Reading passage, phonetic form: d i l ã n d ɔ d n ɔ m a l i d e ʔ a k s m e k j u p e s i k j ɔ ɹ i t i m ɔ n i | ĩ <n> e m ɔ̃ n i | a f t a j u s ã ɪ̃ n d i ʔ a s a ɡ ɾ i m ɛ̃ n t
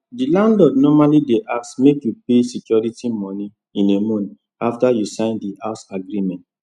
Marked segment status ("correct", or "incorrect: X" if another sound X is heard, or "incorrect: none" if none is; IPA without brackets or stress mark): correct